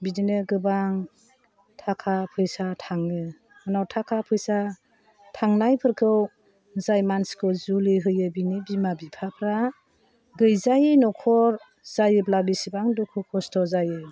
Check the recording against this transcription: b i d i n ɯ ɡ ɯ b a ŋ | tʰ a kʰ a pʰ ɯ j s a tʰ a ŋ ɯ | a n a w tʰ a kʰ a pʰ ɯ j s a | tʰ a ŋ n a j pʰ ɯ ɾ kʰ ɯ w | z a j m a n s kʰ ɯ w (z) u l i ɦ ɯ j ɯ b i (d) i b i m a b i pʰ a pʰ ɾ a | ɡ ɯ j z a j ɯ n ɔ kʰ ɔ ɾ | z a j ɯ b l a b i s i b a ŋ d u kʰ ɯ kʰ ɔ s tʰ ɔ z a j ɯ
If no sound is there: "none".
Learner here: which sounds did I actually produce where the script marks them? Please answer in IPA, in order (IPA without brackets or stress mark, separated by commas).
z, n